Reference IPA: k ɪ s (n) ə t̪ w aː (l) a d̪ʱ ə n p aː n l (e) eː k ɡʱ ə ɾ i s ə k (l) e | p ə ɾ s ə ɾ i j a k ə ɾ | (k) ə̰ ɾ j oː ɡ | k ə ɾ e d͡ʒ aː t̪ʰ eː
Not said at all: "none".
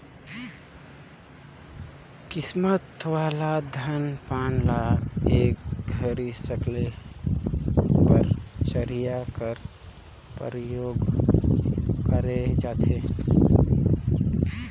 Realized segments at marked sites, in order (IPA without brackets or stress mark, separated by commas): m, l, a, l, p